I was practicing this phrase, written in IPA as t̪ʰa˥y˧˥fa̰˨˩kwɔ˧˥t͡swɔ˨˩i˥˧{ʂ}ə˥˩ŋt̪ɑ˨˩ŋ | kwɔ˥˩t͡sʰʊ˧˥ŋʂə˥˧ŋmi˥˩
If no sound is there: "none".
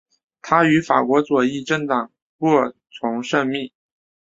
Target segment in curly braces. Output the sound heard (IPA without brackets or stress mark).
ʈ͡ʂ